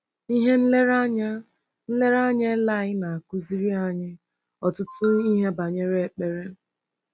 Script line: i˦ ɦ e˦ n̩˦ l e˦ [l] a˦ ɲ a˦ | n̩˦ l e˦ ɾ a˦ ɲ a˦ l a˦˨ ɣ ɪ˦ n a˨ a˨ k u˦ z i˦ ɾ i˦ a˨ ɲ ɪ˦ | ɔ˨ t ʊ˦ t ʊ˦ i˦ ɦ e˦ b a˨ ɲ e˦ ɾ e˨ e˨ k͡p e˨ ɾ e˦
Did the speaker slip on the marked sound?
yes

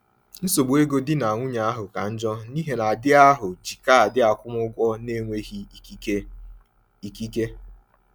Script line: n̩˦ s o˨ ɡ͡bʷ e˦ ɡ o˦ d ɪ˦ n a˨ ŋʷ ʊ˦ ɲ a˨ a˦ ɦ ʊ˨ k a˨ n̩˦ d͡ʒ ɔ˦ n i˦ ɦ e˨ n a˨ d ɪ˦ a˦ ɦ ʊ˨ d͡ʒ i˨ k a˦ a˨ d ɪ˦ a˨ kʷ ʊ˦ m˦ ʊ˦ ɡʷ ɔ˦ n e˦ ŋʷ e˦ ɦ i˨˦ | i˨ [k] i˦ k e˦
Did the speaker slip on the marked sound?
no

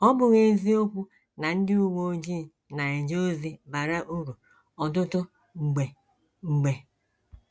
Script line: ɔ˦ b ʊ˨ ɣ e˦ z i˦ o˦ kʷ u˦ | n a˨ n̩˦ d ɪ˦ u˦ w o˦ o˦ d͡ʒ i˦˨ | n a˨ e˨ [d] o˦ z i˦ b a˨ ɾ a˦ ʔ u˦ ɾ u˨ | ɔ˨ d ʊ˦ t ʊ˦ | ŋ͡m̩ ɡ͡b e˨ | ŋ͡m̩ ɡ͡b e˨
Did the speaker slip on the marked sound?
yes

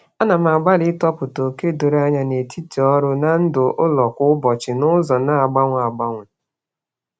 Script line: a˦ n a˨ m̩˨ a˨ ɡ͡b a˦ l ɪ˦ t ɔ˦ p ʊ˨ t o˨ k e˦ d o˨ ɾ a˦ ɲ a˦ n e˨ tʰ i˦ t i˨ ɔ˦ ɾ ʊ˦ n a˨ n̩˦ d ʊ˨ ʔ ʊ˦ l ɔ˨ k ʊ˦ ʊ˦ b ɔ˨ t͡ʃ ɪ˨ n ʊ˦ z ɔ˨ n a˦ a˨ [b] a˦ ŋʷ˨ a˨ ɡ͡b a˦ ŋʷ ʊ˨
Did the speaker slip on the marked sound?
yes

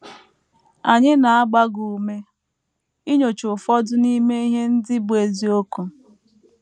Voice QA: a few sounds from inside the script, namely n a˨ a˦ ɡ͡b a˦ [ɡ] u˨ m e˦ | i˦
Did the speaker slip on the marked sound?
no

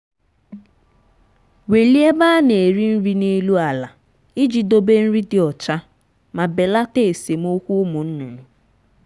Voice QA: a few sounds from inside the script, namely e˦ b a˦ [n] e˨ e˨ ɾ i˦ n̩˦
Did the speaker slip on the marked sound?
no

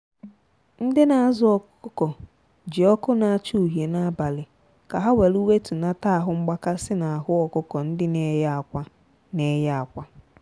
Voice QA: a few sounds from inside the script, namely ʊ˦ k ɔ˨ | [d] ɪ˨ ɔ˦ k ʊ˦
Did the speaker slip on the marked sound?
yes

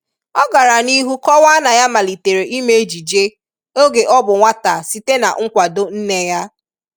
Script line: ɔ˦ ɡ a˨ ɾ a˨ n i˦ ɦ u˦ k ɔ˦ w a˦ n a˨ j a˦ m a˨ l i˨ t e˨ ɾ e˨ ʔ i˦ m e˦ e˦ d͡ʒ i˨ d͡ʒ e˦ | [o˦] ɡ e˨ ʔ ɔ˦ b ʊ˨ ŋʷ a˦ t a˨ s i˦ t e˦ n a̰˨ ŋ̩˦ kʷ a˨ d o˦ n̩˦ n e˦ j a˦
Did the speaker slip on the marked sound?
no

